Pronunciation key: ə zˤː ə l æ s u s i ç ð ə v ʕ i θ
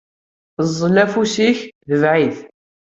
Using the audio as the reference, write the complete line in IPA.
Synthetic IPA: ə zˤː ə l æ f u s i ç ð ə v ʕ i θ